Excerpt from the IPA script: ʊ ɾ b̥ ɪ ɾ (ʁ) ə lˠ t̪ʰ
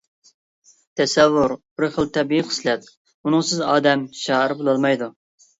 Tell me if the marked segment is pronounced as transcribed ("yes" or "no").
no